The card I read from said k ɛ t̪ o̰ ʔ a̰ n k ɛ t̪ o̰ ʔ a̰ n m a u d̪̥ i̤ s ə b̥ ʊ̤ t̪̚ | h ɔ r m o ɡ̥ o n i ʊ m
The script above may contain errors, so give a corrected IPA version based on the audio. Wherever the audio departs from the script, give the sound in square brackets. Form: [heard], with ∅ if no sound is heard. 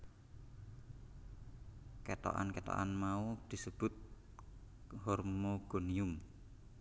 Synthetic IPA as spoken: k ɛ t̪ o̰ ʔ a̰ n k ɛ t̪ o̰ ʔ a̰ n m a u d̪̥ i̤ s ə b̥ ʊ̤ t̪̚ | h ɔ r m o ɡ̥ o n i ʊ m

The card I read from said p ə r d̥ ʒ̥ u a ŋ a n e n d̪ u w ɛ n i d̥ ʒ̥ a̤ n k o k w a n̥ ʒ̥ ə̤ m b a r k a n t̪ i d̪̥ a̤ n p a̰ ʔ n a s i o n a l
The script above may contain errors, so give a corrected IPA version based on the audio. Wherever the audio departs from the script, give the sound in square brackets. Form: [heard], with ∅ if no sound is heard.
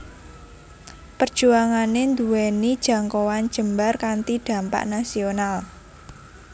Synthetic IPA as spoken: p ə r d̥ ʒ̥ u a ŋ a n e n d̪ u w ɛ n i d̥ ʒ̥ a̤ [ŋ] k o [∅] w a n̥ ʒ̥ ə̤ m b a r k a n t̪ i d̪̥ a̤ [m] p a̰ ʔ n a s i o n a l

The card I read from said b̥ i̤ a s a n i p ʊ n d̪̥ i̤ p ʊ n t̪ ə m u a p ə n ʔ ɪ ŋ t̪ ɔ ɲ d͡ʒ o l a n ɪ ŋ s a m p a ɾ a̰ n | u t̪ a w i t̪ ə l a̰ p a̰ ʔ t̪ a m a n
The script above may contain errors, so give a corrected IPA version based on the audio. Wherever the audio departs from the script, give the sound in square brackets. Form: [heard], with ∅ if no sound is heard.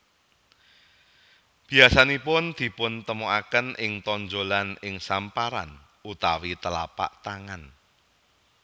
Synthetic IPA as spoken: b̥ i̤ a s a n i p ʊ n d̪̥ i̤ p ʊ n t̪ ə m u a [k] ə n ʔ ɪ ŋ t̪ ɔ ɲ d͡ʒ o l a n ɪ ŋ s a m p a ɾ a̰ n | u t̪ a w i t̪ ə l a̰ p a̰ ʔ t̪ a [ŋ] a n

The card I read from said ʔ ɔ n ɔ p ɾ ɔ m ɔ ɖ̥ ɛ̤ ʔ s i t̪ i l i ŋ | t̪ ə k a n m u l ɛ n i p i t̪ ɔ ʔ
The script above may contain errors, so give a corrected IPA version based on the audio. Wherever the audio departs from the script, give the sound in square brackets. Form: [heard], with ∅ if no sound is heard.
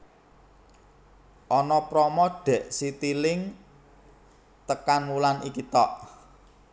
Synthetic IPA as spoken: ʔ ɔ n ɔ p ɾ ɔ m ɔ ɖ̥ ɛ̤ ʔ s i t̪ i l [ɪ] ŋ | t̪ ə k a n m u l [a] n i [k] i t̪ ɔ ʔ

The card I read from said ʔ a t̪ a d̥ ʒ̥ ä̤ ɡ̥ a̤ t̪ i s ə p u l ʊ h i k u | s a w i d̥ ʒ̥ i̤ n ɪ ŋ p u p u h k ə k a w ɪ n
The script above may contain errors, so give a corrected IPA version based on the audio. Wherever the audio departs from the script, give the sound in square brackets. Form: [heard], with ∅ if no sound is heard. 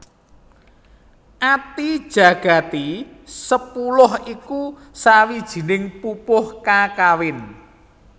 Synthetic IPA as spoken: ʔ a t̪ [i] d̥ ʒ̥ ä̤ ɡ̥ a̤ t̪ i s ə p u l ʊ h i k u | s a w i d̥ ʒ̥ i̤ n ɪ ŋ p u p [ʊ] h k [a] k a w ɪ n

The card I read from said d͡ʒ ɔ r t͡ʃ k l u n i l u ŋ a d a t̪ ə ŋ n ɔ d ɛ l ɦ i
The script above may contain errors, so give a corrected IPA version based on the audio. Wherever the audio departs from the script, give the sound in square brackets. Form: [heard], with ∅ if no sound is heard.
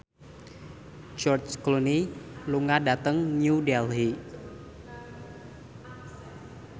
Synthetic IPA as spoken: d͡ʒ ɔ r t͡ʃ k l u n i l u ŋ a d a t̪ ə ŋ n [u] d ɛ l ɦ i

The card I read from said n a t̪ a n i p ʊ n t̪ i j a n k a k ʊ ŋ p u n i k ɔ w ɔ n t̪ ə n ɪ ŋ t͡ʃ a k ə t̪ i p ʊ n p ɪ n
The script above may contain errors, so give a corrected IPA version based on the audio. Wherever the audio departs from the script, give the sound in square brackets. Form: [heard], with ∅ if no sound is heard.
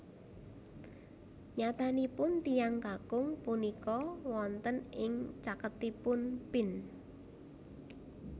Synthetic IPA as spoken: [ɲ] a t̪ a n i p ʊ n t̪ i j a [ŋ] k a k ʊ ŋ p u n i k ɔ w ɔ n t̪ ə n ɪ ŋ t͡ʃ a k ə t̪ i p ʊ n p ɪ n

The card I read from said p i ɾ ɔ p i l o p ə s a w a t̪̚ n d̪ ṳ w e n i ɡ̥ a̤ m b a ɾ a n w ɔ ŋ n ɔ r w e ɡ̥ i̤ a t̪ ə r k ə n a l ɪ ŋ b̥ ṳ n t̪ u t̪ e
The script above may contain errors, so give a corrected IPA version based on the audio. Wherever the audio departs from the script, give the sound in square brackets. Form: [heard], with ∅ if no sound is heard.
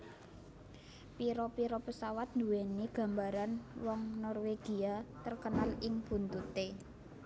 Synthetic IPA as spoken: p i ɾ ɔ p i [ɾ] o p ə s a w a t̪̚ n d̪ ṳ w e n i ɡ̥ a̤ m b a ɾ a n w ɔ ŋ n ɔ r w e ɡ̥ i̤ a t̪ ə r k ə n a l ɪ ŋ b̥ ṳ n t̪ u t̪ e

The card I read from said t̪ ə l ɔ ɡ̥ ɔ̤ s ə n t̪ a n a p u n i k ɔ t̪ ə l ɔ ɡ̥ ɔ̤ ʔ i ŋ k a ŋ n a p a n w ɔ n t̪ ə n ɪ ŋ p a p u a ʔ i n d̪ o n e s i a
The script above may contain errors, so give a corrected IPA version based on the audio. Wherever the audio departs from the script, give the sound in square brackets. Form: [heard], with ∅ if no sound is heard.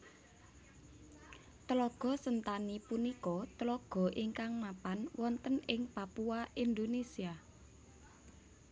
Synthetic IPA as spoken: t̪ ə l ɔ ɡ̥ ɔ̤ s ə n t̪ a n [i] p u n i k ɔ t̪ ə l ɔ ɡ̥ ɔ̤ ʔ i ŋ k a ŋ n a p a n w ɔ n t̪ ə n ɪ ŋ p a p u a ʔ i n d̪ o n e s i a

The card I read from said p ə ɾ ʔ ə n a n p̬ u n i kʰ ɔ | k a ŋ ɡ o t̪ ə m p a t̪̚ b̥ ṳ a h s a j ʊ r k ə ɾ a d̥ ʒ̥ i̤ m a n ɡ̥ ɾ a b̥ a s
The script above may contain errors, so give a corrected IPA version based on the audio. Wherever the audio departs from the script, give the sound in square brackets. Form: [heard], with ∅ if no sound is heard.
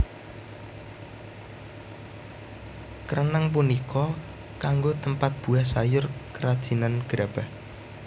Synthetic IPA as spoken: [k] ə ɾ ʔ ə n a [ŋ] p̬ u n i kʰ ɔ | k a ŋ ɡ o t̪ ə m p a t̪̚ b̥ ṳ a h s a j ʊ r k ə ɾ a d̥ ʒ̥ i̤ [n] a n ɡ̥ ɾ a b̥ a [h]

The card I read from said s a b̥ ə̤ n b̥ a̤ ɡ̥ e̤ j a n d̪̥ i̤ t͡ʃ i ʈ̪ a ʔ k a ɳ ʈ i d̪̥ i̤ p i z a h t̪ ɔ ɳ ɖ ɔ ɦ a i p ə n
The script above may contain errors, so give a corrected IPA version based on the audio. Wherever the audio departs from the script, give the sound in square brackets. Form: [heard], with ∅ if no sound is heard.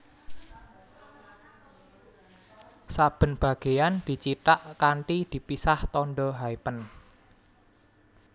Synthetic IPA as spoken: s a b̥ ə̤ n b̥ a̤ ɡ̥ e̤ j a n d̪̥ i̤ t͡ʃ i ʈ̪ a ʔ k a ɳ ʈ i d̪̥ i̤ p i [s] a h t̪ ɔ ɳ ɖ ɔ ɦ a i p ə n

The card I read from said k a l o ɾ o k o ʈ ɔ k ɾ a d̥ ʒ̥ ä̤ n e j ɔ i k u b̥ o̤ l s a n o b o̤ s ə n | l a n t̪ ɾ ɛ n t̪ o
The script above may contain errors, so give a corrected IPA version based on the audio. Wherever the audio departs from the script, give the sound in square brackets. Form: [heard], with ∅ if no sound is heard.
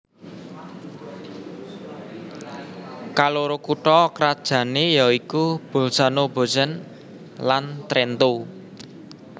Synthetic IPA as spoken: k a l o ɾ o k [u] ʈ ɔ k ɾ a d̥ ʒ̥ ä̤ n e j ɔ i k u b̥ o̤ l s a n o b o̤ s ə n | l a n t̪ ɾ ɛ n t̪ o

